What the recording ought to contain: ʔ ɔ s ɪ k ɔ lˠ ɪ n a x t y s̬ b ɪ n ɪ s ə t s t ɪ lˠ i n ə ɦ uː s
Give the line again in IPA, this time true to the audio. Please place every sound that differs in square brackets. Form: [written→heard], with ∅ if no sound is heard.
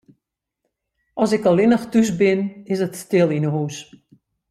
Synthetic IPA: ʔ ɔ s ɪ k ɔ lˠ ɪ n [a→ə] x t y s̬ b ɪ n ɪ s ə t s t ɪ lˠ i n ə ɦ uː s